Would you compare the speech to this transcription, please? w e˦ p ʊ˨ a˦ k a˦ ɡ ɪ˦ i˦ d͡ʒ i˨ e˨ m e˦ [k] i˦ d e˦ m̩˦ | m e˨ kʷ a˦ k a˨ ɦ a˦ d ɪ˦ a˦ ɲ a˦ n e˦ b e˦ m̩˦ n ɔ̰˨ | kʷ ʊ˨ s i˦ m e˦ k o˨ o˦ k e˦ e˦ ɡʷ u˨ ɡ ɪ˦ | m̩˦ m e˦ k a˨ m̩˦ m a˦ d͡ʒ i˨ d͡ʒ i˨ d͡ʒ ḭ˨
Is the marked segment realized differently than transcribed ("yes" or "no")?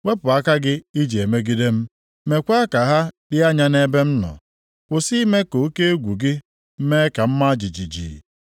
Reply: yes